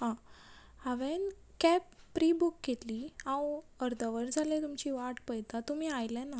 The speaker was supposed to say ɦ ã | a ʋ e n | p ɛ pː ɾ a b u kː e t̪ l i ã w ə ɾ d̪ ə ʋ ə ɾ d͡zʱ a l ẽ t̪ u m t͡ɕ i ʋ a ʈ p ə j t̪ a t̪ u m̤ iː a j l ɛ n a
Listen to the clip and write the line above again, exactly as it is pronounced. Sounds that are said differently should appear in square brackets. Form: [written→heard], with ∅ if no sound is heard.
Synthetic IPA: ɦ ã | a ʋ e n | [p→k] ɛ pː ɾ [a→i] b u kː e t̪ l i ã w ə ɾ d̪ ə ʋ ə ɾ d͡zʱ a l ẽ t̪ u m t͡ɕ i ʋ a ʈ p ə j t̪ a t̪ u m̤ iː a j l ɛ n a